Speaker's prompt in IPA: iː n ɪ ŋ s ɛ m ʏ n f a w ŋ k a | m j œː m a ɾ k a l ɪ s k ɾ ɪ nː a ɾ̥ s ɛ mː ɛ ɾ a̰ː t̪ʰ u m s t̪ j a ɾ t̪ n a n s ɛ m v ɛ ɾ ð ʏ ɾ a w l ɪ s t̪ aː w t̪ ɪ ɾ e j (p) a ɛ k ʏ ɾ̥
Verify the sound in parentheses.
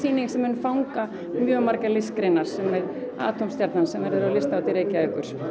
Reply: incorrect: c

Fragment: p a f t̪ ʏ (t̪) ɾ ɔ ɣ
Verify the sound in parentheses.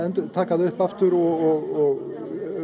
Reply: incorrect: none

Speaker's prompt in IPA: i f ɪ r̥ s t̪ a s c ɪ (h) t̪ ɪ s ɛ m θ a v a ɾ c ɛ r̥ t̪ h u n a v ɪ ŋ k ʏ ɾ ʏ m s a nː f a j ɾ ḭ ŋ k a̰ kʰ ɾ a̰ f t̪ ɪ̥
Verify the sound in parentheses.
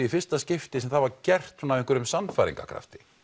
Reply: incorrect: f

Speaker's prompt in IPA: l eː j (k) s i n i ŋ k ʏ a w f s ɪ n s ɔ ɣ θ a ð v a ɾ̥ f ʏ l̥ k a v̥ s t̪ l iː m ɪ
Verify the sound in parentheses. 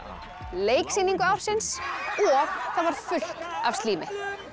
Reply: correct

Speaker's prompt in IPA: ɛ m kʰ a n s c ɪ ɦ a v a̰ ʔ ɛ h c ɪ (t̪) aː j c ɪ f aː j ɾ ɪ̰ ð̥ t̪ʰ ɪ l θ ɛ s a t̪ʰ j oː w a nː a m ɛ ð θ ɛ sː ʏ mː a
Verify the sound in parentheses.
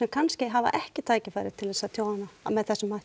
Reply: incorrect: t̪ʰ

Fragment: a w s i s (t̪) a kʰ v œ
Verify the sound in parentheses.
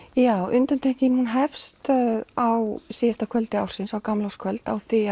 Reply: correct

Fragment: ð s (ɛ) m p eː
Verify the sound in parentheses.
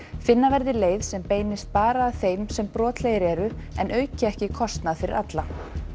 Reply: correct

